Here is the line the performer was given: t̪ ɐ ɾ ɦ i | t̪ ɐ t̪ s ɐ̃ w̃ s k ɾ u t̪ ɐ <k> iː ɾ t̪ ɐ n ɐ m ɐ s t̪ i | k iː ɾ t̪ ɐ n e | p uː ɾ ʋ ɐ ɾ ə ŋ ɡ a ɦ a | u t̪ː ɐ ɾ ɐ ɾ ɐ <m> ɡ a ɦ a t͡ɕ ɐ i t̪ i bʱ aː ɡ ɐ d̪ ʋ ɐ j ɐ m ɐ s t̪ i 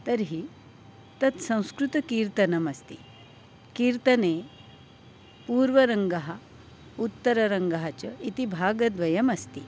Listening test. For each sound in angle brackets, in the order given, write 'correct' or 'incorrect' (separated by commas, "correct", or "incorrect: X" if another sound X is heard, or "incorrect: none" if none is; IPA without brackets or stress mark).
correct, incorrect: ŋ